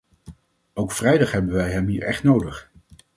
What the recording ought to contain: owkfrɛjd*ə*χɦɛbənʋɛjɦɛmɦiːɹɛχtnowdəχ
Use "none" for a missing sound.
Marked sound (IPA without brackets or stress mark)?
ɑ